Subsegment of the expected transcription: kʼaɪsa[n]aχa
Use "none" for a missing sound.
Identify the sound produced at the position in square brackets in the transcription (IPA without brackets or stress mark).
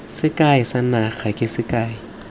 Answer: n